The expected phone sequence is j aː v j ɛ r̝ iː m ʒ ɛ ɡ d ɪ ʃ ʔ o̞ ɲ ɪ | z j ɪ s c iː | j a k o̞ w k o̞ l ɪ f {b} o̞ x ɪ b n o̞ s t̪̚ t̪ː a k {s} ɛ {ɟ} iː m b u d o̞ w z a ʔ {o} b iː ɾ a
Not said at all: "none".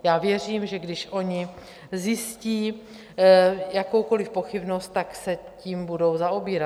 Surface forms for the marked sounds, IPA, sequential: p, s, c, o

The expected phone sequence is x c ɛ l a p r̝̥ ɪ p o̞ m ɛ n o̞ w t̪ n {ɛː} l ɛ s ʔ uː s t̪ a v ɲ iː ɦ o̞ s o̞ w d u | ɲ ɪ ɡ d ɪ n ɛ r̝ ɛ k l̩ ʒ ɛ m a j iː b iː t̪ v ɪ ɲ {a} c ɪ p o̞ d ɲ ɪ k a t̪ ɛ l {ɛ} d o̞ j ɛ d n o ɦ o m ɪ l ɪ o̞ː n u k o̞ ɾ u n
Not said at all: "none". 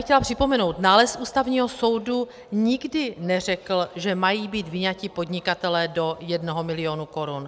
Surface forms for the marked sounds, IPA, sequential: aː, a, ɛː

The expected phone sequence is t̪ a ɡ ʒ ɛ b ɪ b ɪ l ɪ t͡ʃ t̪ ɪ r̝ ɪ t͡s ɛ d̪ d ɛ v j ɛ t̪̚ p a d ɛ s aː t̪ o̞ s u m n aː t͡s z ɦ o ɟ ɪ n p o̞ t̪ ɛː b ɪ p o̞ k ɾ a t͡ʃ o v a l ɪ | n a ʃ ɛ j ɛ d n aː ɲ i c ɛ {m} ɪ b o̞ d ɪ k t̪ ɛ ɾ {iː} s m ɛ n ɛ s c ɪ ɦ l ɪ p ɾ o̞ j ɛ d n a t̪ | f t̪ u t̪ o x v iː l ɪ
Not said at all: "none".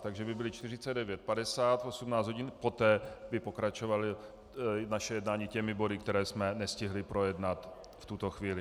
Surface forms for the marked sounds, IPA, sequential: m, ɛː

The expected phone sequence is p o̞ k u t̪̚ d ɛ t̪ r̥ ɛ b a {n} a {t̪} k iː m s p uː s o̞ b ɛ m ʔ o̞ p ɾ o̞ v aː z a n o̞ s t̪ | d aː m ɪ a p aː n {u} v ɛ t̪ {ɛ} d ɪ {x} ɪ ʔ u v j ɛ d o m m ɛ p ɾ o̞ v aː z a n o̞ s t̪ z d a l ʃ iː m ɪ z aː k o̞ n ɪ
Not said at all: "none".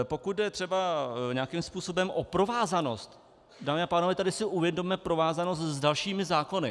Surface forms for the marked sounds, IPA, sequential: ɲ, none, o, a, s

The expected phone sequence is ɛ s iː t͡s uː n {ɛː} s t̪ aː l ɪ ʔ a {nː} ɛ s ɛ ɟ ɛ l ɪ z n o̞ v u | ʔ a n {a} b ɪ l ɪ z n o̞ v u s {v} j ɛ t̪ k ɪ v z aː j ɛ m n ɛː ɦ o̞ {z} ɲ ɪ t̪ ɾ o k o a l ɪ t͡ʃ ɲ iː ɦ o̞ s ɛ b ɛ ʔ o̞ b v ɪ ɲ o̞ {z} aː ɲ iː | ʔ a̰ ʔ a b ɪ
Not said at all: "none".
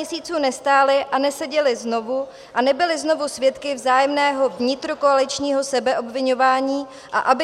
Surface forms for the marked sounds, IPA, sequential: ɛ, n, ɛ, v, v, v

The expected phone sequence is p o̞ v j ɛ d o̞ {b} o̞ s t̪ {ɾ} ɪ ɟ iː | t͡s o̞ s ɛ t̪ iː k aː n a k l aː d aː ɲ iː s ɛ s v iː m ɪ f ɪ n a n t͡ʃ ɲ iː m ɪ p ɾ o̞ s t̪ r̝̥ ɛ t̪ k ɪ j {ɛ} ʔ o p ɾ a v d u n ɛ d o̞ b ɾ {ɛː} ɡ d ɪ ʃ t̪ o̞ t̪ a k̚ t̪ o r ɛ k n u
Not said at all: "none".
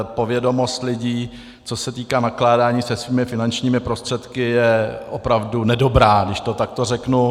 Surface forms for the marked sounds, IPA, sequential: m, l, ɛ, aː

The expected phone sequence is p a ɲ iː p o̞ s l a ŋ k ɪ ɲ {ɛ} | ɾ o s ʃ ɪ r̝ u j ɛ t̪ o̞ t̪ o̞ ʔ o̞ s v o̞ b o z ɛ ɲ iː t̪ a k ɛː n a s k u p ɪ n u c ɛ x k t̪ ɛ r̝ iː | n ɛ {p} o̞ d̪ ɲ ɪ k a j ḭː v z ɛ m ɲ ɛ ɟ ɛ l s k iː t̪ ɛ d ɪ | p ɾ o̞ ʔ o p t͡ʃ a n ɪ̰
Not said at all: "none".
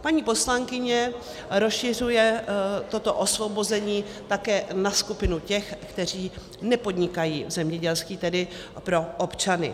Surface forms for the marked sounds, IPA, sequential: ɛ, p

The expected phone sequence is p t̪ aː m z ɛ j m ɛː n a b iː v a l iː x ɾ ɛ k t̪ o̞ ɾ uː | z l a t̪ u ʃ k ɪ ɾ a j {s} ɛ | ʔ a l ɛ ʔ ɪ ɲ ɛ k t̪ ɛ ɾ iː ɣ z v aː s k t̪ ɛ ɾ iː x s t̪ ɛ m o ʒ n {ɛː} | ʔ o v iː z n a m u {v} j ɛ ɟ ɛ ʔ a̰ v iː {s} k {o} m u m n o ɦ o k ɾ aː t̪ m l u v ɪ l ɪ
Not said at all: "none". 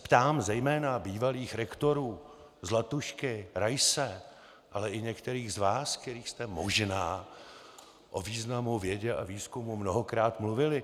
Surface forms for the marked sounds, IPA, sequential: s, aː, v, s, u

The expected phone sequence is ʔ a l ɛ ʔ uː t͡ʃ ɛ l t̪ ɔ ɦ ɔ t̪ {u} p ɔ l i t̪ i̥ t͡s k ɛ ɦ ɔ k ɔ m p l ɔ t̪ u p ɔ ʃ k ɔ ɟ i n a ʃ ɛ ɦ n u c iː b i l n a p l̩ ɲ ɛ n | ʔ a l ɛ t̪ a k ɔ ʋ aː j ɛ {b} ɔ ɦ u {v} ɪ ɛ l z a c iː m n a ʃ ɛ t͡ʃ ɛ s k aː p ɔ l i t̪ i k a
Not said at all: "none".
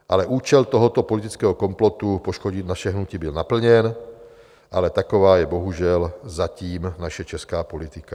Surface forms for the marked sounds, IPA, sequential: ɔ, b, ʒ

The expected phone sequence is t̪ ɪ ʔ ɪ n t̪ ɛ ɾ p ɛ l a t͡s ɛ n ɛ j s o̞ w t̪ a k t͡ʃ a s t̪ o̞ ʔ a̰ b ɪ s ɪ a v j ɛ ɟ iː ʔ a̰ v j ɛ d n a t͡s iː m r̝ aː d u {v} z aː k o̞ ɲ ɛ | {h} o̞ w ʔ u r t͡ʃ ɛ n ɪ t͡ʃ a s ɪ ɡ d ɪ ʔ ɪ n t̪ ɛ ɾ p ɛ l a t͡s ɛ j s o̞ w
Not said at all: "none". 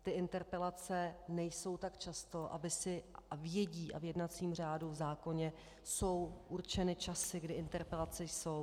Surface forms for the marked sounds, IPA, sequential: v, s

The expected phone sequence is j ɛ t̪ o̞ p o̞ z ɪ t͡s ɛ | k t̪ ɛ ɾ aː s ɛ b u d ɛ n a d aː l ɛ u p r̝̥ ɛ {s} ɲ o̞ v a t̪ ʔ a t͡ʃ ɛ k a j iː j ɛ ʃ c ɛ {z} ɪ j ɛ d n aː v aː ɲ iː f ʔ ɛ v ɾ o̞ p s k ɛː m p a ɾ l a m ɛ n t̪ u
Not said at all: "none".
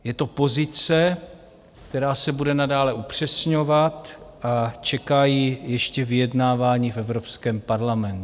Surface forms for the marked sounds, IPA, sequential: s, v

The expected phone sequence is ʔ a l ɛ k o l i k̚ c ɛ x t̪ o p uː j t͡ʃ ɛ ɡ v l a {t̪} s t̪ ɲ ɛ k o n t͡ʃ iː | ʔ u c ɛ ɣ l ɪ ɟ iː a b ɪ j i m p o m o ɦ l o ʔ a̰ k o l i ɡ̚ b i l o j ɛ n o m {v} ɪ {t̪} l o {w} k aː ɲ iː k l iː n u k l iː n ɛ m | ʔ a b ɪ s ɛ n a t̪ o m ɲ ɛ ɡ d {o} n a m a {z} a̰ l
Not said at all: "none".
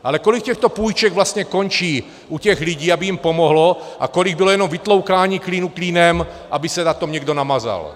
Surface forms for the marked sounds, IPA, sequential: none, v, t̪, w, o, z

